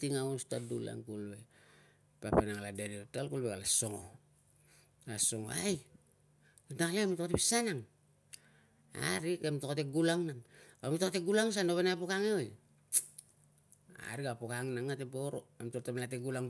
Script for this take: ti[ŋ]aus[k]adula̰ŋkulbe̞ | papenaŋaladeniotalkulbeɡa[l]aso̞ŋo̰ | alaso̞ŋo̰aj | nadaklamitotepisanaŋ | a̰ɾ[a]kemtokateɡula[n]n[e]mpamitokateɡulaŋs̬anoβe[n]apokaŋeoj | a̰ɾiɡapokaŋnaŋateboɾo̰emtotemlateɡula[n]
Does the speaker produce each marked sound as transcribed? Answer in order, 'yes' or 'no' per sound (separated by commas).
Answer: yes, no, yes, no, no, no, yes, no